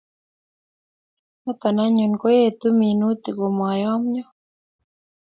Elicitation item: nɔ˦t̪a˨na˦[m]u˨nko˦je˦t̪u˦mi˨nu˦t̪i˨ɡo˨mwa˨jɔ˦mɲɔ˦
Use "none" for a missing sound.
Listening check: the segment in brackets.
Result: ɲ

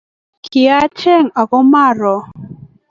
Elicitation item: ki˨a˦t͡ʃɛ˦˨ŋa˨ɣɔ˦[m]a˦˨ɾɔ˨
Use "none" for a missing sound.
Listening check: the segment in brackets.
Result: m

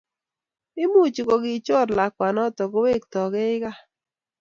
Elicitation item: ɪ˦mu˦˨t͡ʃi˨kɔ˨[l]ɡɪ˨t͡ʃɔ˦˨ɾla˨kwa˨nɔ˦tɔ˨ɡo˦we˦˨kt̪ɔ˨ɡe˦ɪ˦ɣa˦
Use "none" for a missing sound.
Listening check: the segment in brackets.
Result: none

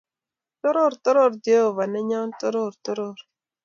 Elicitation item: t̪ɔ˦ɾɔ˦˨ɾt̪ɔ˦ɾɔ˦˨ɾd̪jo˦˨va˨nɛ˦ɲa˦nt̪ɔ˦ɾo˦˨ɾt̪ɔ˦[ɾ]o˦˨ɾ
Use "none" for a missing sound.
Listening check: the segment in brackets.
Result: ɾ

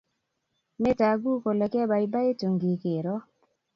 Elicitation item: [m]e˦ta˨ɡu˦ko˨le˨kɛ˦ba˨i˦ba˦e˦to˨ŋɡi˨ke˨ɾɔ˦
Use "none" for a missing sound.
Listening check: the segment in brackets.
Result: m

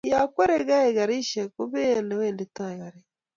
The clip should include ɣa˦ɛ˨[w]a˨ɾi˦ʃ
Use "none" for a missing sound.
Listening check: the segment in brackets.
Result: ɣ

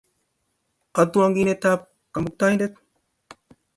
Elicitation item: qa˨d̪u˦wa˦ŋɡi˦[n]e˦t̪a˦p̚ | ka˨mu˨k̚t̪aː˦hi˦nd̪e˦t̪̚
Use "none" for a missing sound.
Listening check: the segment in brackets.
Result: n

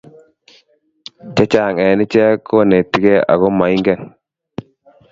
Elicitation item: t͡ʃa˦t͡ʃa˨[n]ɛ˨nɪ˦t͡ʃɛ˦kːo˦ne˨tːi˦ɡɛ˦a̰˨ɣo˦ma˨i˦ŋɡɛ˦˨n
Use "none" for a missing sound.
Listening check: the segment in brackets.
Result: ŋ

